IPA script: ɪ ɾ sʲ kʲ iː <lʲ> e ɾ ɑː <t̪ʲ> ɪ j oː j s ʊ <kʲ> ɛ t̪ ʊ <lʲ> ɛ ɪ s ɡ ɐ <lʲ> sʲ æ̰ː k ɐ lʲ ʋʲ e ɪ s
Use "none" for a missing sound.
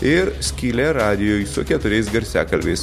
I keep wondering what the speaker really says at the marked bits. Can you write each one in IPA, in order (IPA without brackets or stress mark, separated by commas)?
lʲ, d̪ʲ, kʲ, ɾʲ, ɾʲ